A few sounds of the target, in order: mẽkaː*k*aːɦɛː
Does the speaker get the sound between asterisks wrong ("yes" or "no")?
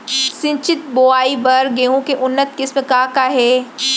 no